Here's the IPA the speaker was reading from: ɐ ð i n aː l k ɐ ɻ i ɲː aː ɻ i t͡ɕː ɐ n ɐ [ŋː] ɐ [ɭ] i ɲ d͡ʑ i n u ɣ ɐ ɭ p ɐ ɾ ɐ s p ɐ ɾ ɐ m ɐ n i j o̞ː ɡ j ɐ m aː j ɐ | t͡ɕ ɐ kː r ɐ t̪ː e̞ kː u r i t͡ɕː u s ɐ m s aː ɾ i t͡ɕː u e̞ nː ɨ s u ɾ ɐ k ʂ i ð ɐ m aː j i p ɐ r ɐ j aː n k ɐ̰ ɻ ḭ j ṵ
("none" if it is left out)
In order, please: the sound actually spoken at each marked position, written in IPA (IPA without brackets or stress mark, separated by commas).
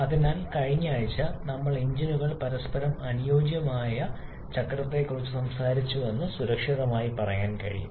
mː, ɭ